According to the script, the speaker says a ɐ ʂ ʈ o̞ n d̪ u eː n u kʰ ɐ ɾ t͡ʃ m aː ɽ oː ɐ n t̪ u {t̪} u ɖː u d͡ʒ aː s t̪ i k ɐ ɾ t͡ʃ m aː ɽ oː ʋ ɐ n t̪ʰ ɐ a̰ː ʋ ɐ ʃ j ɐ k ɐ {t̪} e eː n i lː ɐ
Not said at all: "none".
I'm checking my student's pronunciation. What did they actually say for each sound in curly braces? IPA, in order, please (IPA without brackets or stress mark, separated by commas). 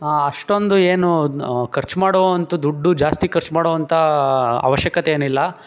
d̪, t̪